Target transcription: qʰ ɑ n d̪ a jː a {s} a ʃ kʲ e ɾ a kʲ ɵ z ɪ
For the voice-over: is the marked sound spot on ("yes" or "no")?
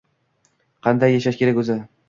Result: no